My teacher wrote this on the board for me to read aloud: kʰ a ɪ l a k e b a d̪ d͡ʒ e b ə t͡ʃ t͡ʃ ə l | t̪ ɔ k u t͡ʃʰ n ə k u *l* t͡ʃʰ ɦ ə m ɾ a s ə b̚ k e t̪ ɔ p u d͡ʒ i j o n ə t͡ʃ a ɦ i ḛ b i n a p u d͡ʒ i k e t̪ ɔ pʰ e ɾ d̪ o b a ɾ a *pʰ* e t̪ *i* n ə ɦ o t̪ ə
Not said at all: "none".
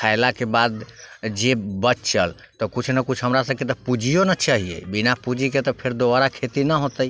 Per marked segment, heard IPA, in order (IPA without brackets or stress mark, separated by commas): none, kʰ, i